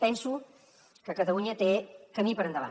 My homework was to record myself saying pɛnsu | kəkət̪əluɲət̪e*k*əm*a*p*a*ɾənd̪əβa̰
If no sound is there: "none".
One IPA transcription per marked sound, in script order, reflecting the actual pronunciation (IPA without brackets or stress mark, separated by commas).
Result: k, i, ə